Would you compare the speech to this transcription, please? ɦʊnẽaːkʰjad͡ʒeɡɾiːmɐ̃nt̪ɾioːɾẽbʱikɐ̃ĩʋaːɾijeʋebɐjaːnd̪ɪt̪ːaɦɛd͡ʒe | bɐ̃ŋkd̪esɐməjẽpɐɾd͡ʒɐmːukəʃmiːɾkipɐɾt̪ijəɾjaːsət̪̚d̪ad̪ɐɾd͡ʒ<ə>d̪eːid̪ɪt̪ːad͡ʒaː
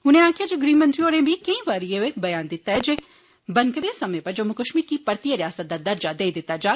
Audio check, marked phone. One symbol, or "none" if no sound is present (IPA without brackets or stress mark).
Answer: a